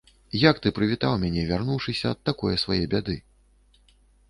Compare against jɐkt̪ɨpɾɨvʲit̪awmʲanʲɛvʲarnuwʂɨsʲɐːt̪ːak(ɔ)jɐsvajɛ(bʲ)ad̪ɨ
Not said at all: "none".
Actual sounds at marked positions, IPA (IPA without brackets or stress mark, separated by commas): ɔ, bʲ